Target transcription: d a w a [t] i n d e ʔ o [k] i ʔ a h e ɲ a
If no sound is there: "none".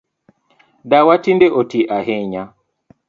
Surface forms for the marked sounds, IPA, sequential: t, t

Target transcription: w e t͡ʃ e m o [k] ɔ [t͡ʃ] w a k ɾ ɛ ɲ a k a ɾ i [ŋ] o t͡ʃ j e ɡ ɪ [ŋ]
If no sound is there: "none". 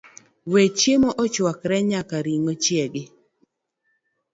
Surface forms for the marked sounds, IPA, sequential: ʔ, t͡ʃ, ŋ, none

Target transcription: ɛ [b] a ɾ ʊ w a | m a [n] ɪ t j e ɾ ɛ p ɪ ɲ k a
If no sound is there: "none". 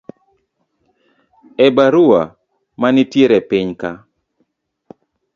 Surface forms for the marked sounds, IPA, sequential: b, n

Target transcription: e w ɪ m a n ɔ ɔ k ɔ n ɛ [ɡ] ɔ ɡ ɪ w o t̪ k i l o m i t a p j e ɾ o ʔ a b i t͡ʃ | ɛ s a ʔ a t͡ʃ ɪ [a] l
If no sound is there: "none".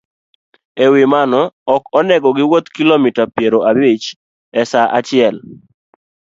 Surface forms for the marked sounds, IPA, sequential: ɡ, ɛ

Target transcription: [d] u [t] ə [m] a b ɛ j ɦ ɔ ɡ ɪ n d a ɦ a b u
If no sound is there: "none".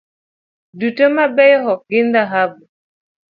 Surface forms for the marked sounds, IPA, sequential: d, t, m

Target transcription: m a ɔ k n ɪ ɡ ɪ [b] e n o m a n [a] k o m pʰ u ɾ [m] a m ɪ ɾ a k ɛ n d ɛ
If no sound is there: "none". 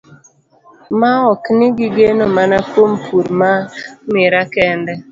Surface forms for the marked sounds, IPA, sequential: ɡ, a, m

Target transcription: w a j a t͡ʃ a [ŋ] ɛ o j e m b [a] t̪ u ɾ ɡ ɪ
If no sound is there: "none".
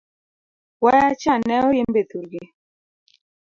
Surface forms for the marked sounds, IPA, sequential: n, e

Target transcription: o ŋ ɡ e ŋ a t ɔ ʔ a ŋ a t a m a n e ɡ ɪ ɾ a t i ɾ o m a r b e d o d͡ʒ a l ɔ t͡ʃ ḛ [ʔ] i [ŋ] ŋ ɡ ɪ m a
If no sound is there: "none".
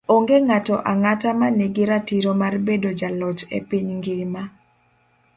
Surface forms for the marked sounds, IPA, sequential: p, ɲ

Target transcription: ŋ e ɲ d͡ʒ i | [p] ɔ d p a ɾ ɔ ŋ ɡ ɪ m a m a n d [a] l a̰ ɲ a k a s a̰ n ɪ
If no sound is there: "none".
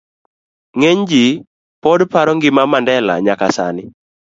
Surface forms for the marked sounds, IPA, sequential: p, ɛ

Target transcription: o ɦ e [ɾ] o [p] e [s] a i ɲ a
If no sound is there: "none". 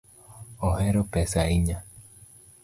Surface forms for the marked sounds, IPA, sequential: ɾ, p, s

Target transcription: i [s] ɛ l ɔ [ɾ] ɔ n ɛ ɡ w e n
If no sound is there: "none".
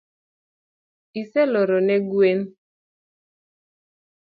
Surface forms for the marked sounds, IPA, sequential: s, ɾ

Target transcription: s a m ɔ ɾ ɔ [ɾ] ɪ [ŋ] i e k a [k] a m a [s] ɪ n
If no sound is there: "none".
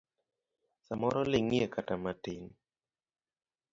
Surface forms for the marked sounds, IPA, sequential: l, ŋ, t, t

